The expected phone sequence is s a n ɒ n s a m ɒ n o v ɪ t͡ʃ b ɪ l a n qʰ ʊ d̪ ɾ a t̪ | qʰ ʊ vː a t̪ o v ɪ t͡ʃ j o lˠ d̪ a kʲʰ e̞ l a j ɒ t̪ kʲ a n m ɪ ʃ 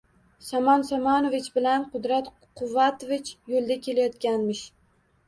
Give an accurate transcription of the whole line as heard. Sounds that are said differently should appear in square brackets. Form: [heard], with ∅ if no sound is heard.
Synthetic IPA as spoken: s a [m] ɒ n s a m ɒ n o v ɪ t͡ʃ b ɪ l a n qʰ ʊ d̪ ɾ a t̪ | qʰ ʊ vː a t̪ o v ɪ t͡ʃ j o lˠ d̪ a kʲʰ e̞ l a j ɒ t̪ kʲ a n m ɪ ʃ